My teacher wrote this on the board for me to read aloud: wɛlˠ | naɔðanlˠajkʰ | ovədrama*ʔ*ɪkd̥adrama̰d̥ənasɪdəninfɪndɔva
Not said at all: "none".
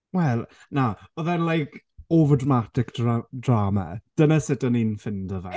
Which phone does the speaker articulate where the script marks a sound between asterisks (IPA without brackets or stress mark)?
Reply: t